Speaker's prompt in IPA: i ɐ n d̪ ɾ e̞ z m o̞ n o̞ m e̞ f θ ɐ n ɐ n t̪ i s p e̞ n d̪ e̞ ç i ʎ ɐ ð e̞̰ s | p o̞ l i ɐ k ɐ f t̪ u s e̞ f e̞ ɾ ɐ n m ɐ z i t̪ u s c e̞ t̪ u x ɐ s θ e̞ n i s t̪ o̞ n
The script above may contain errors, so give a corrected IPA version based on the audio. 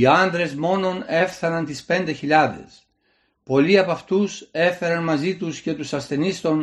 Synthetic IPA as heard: i ɐ n d̪ ɾ e̞ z m o̞ n o̞ n e̞ f θ ɐ n ɐ n t̪ i s p e̞ n d̪ e̞ ç i ʎ ɐ ð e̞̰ s | p o̞ l i ɐ p ɐ f t̪ u s e̞ f e̞ ɾ ɐ n m ɐ z i t̪ u s c e̞ t̪ u s ɐ s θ e̞ n i s t̪ o̞ n